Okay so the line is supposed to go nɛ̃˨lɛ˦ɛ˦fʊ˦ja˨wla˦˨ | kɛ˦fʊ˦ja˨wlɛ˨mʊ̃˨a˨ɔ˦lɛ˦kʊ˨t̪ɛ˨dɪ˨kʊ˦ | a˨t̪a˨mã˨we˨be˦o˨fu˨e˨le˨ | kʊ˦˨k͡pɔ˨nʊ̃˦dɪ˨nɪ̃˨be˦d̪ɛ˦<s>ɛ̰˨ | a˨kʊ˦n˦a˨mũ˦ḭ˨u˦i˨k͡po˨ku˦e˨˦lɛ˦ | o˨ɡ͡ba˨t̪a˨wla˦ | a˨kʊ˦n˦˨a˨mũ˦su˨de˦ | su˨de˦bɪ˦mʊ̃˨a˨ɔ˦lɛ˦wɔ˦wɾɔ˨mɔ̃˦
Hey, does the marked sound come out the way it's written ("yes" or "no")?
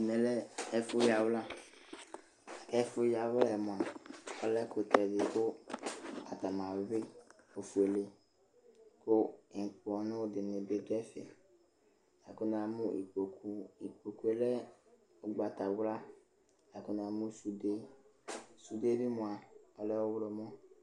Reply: no